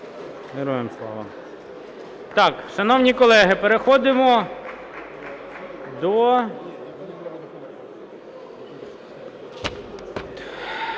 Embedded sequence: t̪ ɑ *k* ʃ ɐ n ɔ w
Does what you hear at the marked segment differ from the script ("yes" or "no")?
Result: no